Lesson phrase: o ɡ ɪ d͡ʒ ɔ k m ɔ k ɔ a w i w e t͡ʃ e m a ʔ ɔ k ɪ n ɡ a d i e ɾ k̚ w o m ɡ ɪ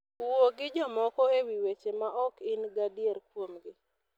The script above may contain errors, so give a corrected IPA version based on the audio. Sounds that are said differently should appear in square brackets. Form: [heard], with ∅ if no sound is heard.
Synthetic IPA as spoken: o ɡ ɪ d͡ʒ ɔ [∅] m ɔ k ɔ [e] w i w e t͡ʃ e m a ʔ ɔ k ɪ n ɡ a d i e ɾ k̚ w o m ɡ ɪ